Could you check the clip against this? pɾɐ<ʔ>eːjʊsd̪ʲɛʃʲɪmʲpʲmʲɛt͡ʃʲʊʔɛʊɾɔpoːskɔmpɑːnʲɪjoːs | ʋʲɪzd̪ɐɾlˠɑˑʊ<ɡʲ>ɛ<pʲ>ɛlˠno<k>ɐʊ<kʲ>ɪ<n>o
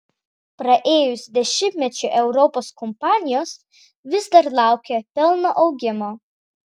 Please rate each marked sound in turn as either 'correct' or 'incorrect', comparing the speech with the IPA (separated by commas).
correct, incorrect, correct, incorrect, incorrect, incorrect